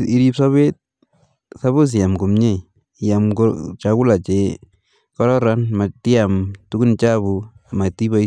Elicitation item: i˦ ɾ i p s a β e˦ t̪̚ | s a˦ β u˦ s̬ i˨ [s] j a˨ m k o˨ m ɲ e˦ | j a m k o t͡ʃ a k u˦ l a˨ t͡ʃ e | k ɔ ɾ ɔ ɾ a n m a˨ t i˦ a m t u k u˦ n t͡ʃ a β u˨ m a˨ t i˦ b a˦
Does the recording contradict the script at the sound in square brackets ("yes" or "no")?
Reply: yes